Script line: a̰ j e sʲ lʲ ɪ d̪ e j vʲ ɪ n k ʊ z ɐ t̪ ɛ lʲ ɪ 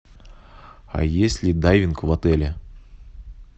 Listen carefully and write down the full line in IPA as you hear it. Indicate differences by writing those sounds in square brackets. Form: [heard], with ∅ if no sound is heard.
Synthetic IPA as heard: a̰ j e sʲ lʲ ɪ d̪ [a] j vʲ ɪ n k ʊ [v] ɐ t̪ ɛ lʲ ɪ